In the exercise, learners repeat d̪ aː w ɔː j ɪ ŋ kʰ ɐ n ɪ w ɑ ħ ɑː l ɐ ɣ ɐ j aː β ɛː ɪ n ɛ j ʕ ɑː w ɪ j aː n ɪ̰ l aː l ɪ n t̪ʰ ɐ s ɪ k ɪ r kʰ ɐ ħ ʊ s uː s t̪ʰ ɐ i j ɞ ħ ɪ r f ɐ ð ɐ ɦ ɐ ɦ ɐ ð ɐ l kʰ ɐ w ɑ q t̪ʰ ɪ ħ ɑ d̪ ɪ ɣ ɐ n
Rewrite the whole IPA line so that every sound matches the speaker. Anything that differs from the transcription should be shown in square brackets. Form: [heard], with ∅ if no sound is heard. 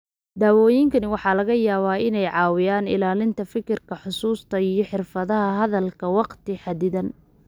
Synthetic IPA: d̪ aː w ɔː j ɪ ŋ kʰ ɐ n ɪ w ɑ ħ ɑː l ɐ ɣ ɐ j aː β [aː] ɪ n ɛ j ʕ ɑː w ɪ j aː n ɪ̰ l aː l ɪ n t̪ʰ ɐ [f] ɪ k ɪ r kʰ ɐ ħ ʊ s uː s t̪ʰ ɐ i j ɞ ħ ɪ r f ɐ ð ɐ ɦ ɐ ɦ ɐ ð ɐ l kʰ ɐ w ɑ q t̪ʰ ɪ ħ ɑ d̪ ɪ [ð] ɐ n

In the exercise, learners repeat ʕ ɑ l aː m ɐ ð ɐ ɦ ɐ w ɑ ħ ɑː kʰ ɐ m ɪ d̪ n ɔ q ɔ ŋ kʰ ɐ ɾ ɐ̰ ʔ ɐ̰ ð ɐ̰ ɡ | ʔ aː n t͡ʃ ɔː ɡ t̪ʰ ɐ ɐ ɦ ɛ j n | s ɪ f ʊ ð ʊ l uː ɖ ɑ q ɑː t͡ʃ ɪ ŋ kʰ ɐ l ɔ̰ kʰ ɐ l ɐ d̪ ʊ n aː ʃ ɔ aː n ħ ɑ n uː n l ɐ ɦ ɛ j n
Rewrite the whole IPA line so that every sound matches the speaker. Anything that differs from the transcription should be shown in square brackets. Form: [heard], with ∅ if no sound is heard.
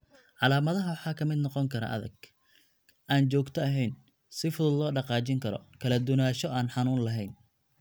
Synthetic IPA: ʕ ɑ l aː m ɐ ð ɐ ɦ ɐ w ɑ ħ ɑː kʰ ɐ m ɪ d̪ n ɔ q ɔ ŋ kʰ ɐ ɾ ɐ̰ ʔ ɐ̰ ð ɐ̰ ɡ | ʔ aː n t͡ʃ ɔː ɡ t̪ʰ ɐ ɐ ɦ ɛ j n | s ɪ f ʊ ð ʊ l [ɔː] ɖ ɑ q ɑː t͡ʃ ɪ ŋ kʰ ɐ [ɾ] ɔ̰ kʰ ɐ l ɐ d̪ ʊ n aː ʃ ɔ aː n ħ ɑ n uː n l ɐ ɦ ɛ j n

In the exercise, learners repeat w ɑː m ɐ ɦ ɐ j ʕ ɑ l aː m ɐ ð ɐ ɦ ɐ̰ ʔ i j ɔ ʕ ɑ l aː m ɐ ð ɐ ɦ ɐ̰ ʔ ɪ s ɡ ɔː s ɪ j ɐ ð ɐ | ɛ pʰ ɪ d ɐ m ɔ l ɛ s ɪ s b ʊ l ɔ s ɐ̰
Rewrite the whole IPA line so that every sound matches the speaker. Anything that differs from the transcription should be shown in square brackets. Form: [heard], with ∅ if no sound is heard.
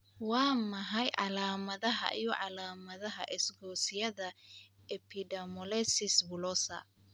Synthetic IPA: w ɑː m ɐ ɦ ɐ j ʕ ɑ l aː m ɐ ð ɐ ɦ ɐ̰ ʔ i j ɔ ʕ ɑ l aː m ɐ ð ɐ ɦ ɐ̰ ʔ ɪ s ɡ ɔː s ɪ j ɐ ð ɐ | ɛ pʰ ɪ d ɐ m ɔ l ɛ s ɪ s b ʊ l ɔ s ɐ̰

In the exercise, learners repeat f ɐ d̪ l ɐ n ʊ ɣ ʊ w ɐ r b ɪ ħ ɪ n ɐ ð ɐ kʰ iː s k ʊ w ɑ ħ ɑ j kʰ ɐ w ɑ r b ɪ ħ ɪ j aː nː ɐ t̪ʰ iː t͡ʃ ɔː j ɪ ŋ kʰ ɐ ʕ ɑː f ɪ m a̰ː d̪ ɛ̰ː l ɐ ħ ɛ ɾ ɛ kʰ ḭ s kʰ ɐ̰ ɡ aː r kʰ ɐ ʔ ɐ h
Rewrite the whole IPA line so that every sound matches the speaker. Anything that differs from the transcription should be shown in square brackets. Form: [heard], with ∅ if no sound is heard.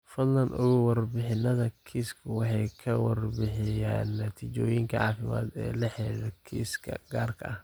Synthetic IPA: f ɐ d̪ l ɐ n ʊ ɣ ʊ w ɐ r b ɪ ħ ɪ n ɐ ð ɐ kʰ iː s [kʰ] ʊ w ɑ ħ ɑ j kʰ ɐ w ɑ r b ɪ ħ ɪ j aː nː ɐ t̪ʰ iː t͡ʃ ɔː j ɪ ŋ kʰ ɐ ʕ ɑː f ɪ m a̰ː d̪ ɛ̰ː l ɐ ħ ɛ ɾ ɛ kʰ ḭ s kʰ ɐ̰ ɡ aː r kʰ ɐ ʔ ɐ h

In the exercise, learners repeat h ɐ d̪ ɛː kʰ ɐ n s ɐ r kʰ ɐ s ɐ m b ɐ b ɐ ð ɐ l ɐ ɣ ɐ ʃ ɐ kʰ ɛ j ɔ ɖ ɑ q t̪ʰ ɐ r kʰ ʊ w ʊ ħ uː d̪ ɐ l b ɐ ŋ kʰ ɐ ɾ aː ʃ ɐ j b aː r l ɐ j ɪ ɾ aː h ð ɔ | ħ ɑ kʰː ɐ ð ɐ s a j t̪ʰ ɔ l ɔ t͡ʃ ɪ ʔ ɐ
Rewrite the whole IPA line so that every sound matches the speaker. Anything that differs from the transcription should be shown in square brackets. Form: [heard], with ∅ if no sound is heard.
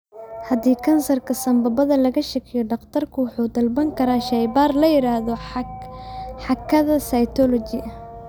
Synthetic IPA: h ɐ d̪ [iː] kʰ ɐ n s ɐ r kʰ ɐ s ɐ m b ɐ b ɐ ð ɐ l ɐ ɣ ɐ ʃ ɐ kʰ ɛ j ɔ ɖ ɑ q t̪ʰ ɐ r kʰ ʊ w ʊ ħ uː d̪ ɐ l b ɐ ŋ kʰ ɐ ɾ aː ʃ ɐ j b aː r l ɐ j ɪ ɾ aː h ð ɔ | ħ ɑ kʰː ɐ ð ɐ s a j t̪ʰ ɔ l ɔ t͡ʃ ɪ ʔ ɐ

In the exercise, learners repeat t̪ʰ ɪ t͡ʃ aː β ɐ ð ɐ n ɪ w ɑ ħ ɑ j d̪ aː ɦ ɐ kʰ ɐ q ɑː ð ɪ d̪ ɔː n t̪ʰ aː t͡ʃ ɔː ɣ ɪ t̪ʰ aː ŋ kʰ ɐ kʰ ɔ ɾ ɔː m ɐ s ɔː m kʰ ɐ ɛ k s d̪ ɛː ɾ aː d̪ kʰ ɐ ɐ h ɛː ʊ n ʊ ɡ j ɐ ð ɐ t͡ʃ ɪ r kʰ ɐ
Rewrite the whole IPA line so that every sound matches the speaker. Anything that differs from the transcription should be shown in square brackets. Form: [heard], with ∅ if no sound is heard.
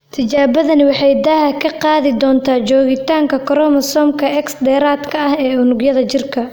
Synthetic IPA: t̪ʰ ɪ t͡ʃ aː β ɐ ð ɐ n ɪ w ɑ ħ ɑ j d̪ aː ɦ ɐ kʰ ɐ q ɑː ð ɪ d̪ ɔː n t̪ʰ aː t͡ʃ ɔː ɣ ɪ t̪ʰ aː ŋ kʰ ɐ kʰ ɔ ɾ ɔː m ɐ s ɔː m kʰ ɐ ɛ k s d̪ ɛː ɾ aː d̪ kʰ ɐ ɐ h ɛː ʊ n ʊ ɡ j ɐ ð ɐ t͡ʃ ɪ r kʰ ɐ

